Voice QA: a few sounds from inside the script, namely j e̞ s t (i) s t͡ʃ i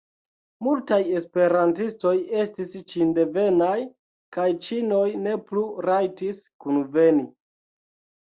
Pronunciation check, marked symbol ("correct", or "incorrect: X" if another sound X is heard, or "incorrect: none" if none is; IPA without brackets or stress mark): correct